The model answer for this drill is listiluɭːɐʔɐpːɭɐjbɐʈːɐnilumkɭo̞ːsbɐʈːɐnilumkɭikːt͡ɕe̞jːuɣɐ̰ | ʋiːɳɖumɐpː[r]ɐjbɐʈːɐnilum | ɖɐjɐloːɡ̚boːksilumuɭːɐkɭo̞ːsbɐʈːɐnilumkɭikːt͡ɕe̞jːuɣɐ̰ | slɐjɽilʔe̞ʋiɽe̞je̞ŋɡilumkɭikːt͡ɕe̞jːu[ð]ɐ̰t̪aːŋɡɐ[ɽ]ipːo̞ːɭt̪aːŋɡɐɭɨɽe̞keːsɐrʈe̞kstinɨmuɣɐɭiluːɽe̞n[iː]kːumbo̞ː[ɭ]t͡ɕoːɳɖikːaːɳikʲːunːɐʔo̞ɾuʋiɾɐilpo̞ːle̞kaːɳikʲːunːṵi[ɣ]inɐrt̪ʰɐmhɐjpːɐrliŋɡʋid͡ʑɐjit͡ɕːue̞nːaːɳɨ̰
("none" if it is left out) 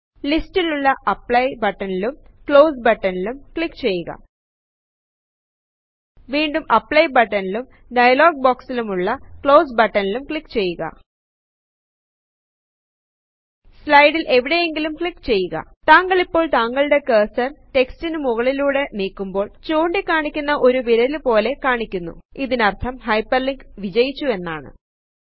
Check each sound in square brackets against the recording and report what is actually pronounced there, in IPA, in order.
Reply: ɭ, ɣ, ɭ, iː, ɭ, ð

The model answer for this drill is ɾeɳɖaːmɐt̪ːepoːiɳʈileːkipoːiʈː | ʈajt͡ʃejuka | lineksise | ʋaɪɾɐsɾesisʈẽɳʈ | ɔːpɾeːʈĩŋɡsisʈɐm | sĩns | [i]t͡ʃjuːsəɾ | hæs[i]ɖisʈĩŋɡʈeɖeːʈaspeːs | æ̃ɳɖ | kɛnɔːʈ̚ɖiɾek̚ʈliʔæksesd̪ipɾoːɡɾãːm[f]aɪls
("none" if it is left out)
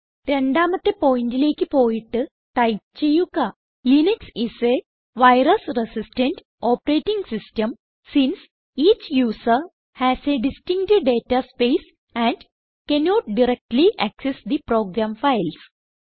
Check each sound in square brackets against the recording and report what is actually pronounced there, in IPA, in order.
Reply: iː, e, f

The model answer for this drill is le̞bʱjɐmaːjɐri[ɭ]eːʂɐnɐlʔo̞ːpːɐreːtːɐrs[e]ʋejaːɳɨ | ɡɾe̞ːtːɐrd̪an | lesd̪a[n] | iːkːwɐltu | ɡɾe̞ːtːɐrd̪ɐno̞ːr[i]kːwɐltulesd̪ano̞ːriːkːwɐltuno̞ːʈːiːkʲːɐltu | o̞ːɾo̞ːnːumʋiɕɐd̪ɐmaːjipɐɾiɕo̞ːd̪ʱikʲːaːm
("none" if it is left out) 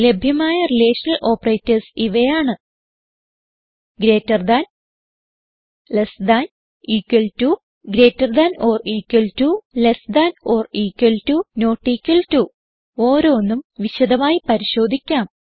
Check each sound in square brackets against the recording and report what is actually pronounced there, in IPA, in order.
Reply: l, i, n, iː

